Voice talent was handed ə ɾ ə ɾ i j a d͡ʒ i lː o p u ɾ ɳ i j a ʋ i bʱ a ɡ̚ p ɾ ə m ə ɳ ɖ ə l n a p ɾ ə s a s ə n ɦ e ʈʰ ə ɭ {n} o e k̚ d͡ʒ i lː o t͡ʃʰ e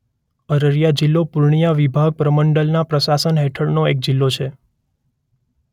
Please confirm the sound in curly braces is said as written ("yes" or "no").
yes